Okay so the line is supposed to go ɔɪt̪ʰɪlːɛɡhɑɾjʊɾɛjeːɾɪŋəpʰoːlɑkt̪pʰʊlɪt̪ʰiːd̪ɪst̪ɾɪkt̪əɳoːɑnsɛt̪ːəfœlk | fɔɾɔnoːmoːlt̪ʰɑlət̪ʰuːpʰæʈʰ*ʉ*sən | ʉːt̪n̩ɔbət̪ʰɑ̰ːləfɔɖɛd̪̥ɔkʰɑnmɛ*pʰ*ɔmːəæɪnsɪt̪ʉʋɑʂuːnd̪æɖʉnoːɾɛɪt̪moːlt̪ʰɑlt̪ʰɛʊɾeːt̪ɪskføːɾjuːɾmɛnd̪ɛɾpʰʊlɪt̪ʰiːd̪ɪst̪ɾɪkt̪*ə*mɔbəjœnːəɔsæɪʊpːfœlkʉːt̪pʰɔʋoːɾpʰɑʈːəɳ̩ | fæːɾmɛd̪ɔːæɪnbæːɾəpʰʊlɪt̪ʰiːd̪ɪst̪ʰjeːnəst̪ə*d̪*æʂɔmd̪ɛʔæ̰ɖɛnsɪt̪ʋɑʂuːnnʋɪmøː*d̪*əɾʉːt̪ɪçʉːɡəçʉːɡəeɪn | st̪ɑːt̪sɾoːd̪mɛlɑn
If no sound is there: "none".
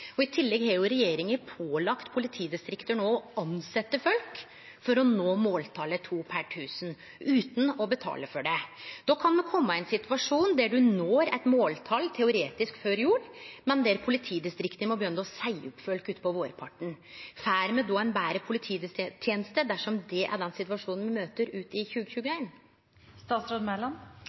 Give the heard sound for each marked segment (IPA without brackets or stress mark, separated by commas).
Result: ʉː, kʰ, ə, d̪, t̪